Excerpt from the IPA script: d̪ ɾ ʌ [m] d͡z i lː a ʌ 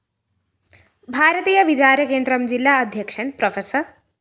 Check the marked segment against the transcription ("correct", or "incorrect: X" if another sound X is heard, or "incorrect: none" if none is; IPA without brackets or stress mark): correct